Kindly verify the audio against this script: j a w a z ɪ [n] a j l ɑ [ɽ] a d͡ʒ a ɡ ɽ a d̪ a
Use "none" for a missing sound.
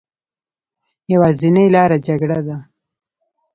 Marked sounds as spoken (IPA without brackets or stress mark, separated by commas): n, ɾ